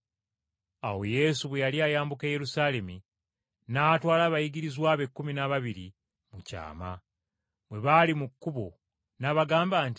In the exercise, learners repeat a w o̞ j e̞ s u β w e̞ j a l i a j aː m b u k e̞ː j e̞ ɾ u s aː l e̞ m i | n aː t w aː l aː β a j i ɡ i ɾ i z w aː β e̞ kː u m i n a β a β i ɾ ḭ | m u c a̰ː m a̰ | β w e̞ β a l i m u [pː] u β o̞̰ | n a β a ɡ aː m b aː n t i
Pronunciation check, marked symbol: incorrect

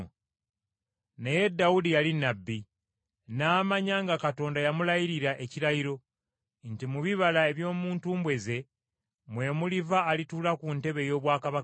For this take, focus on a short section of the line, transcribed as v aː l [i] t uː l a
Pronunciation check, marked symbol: correct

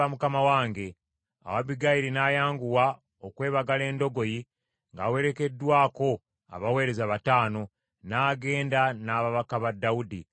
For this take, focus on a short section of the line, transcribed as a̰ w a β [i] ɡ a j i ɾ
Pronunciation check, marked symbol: correct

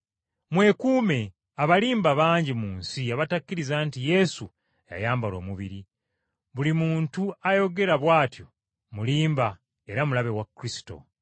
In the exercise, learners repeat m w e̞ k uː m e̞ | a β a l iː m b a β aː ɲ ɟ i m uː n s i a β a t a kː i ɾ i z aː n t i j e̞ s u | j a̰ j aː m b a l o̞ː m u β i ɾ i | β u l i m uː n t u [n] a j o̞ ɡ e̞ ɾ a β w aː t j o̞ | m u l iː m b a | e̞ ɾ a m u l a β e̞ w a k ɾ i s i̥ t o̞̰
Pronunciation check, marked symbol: incorrect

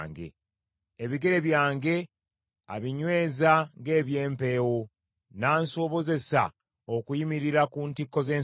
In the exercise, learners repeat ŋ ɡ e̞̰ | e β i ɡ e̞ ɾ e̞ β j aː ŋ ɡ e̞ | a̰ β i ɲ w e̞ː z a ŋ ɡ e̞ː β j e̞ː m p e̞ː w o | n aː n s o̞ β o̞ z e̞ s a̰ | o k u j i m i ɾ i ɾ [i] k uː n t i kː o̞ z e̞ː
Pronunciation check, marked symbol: incorrect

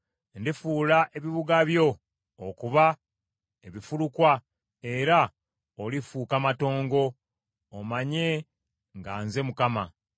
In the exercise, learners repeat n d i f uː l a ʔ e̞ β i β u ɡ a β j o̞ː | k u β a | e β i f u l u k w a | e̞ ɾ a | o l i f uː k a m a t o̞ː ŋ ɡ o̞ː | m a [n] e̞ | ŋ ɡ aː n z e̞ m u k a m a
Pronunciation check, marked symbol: incorrect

